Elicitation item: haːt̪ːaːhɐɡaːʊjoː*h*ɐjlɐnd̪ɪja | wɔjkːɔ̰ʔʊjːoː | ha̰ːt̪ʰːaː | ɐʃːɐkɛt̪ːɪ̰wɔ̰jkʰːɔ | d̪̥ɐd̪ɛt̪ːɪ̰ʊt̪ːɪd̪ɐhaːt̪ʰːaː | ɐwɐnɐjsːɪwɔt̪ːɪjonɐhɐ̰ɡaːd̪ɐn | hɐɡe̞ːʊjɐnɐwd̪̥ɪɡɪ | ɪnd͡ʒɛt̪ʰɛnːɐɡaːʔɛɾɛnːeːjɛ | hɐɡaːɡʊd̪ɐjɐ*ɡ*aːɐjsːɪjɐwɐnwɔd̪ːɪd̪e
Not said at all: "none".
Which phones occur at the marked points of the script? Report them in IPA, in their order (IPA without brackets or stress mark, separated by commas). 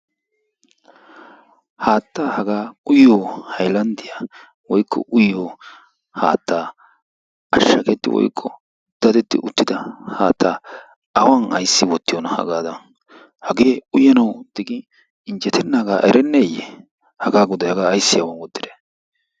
h, ɡ